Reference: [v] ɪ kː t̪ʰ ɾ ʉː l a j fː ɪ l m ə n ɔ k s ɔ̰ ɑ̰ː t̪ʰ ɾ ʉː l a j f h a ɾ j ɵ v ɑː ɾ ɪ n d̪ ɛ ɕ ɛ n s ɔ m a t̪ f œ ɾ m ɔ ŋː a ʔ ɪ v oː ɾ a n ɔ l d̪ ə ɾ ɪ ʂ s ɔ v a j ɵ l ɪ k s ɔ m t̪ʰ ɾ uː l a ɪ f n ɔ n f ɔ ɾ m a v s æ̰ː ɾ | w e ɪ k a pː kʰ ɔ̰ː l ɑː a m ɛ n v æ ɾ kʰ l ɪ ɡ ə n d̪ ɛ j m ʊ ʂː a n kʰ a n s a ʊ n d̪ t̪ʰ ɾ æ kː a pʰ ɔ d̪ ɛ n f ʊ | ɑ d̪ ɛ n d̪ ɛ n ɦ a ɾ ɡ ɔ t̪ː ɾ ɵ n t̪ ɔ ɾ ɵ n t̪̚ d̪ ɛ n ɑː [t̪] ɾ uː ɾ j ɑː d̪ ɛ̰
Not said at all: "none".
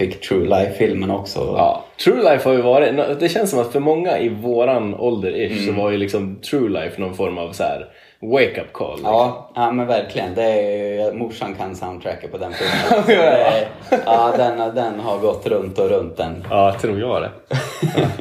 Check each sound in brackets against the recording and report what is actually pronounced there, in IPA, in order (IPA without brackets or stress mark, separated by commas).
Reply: f, t̪ʰ